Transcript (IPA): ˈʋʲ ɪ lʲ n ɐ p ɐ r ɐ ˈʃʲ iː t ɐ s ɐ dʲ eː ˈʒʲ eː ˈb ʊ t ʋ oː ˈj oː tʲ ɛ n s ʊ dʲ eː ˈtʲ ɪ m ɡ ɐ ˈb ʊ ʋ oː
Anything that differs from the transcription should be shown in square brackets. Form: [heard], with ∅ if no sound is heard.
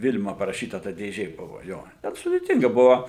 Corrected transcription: ˈʋʲ ɪ lʲ [m] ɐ p ɐ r ɐ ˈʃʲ iː t ɐ [t] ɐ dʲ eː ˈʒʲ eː ˈb ʊ [∅] ʋ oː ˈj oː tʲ ɛ n s ʊ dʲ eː ˈtʲ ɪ [ŋ] ɡ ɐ ˈb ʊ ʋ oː